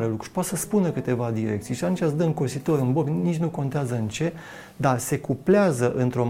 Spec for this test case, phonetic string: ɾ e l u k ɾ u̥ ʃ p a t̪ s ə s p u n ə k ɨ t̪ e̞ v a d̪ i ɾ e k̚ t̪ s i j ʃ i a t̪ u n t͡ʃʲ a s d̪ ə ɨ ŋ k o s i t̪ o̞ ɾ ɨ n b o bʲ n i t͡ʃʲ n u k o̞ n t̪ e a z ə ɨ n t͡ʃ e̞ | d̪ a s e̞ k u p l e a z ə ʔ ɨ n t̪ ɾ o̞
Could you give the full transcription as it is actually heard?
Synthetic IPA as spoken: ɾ e l u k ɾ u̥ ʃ p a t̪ s ə s p u n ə k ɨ t̪ e̞ v a d̪ i ɾ e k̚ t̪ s i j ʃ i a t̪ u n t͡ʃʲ a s d̪ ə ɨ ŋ k o s i t̪ o̞ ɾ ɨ n b o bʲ n i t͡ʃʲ n u k o̞ n t̪ e a z ə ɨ n t͡ʃ e̞ | d̪ a s e̞ k u p l e a z ə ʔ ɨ n t̪ ɾ o̞